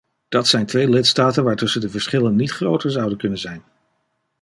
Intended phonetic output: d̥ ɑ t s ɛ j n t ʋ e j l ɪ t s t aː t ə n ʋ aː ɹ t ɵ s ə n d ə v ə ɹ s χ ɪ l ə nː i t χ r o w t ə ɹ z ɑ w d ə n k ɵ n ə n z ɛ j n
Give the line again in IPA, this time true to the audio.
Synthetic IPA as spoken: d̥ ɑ t s ɛ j n t ʋ e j l ɪ t s t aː t ə n ʋ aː ɹ t ɵ s ə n d ə v ə ɹ s χ ɪ l ə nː i t χ r o w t ə ɹ z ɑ w d ə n k ɵ n ə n z ɛ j n